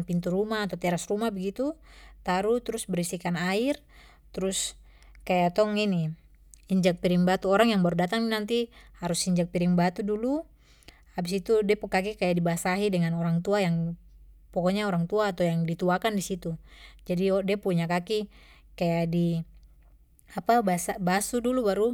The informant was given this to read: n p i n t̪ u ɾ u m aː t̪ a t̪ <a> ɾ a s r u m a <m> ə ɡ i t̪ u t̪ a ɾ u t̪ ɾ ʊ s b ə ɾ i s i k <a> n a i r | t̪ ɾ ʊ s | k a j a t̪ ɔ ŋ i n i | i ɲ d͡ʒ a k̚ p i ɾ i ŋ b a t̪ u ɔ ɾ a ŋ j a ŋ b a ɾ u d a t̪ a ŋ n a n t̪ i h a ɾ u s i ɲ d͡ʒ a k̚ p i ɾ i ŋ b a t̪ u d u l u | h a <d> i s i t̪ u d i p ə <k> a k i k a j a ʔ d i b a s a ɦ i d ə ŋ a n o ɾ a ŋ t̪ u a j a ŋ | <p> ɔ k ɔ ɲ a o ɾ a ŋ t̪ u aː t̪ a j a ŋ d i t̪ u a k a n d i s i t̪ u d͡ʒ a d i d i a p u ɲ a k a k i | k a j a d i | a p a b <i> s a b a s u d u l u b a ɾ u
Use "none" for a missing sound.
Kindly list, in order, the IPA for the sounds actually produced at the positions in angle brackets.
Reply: ɛ, b, a, b, k, p, a

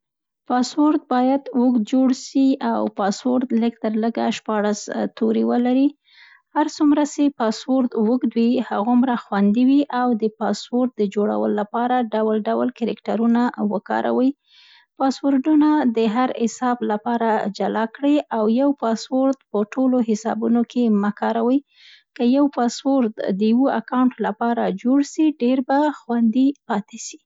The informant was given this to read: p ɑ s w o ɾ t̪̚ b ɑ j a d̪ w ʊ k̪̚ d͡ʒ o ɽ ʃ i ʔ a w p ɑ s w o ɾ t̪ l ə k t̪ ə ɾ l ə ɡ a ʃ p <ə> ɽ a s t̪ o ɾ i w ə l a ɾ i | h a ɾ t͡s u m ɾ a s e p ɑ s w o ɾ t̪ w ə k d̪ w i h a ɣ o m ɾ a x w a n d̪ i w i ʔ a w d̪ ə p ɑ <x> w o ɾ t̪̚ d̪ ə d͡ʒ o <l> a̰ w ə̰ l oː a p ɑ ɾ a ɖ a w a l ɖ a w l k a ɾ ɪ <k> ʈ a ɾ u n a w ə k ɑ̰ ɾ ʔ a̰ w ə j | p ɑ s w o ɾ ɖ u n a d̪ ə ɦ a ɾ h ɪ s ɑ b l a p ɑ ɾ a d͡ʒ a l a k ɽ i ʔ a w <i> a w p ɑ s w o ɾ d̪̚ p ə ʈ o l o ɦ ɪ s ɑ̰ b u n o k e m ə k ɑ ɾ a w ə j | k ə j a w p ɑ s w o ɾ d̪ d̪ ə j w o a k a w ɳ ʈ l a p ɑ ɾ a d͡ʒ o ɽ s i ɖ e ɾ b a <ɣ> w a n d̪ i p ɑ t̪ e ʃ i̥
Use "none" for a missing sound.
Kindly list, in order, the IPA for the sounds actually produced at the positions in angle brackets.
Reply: ɑ, s, ɽ, k, j, x

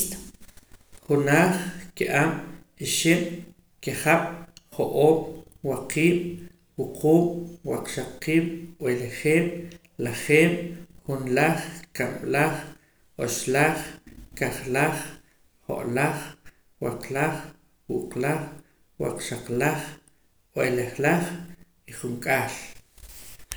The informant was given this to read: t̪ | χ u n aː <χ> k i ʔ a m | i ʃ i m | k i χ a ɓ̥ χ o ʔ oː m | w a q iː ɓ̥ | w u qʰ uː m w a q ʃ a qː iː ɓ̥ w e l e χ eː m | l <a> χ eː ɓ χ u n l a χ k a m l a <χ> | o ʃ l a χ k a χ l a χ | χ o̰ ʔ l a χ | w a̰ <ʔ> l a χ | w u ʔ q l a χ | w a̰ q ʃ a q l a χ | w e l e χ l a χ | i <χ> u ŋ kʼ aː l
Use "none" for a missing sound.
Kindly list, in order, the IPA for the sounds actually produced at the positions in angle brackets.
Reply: χ, a, χ, q, χ

